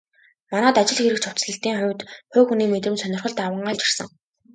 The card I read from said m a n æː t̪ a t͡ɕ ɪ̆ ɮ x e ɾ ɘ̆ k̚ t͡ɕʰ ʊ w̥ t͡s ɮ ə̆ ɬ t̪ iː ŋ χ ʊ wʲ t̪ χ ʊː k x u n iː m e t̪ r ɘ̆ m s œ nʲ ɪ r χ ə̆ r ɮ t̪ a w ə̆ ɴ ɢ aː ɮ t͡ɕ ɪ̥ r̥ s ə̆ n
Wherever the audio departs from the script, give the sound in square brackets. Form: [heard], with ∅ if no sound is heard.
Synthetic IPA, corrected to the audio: m a n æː t̪ a t͡ɕ ɪ̆ ɮ x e ɾ ɘ̆ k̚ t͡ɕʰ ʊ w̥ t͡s ɮ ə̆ ɬ t̪ iː ŋ χ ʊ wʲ t̪ χ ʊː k x u n iː m e t̪ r ɘ̆ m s œ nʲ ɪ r χ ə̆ [∅] ɮ t̪ a w ə̆ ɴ ɢ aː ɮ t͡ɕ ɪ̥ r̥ s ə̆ [ŋ]